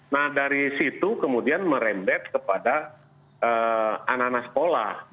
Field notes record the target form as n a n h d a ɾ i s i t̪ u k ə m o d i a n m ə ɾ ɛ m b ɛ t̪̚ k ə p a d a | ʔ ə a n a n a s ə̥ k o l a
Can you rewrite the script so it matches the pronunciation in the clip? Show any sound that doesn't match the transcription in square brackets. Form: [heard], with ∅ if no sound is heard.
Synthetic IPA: n a [∅] h d a ɾ i s i t̪ u k ə m [u] d i a n m ə ɾ ɛ m b ɛ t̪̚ k ə p a d a | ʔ ə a n a n a s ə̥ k o l a